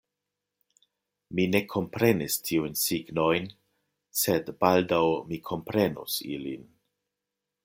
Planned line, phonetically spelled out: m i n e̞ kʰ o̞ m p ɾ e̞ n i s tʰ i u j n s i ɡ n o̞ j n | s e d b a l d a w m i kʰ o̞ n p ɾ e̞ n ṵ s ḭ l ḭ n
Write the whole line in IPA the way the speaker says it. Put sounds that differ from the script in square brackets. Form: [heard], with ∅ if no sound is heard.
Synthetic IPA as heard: m i n e̞ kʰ o̞ m p ɾ e̞ n i s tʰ i u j n s i ɡ n o̞ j n | s e d b a l d a w m i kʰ o̞ [m] p ɾ e̞ n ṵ s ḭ l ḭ n